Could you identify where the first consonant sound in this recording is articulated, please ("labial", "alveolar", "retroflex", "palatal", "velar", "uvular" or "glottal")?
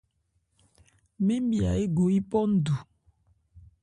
labial